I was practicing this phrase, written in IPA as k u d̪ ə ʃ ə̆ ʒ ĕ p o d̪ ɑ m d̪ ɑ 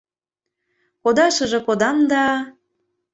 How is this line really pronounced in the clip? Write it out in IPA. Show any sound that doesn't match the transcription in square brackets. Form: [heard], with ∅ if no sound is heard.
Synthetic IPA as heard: k [o] d̪ [ɑ] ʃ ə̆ ʒ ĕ [k] o d̪ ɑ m d̪ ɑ

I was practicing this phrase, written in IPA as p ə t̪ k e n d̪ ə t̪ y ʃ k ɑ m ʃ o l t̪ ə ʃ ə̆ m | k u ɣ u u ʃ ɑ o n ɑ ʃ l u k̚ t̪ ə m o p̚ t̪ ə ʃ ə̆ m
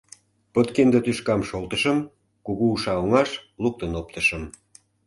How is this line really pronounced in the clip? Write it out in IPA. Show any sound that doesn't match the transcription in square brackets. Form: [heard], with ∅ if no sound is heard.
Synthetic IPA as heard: p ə t̪ k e n d̪ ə t̪ y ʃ k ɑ m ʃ o l t̪ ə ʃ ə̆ m | k u ɣ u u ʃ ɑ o [ŋ] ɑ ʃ l u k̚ t̪ ə [n] o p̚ t̪ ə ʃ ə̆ m

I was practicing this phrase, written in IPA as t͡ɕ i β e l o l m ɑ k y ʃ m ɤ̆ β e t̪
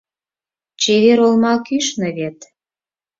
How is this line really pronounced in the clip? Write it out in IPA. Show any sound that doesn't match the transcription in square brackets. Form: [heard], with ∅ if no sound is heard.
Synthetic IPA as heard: t͡ɕ [e] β e [ɾ] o l m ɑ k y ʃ [n] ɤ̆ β e t̪

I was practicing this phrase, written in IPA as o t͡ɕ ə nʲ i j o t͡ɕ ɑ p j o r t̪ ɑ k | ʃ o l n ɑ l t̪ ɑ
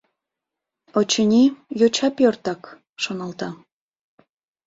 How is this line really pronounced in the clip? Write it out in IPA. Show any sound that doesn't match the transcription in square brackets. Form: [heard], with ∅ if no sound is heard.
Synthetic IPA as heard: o t͡ɕ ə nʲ i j o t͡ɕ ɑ p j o r t̪ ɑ k | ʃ o [∅] n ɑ l t̪ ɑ

